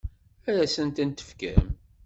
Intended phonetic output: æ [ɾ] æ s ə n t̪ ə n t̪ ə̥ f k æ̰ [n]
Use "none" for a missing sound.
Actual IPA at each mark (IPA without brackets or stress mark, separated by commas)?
ɾ, m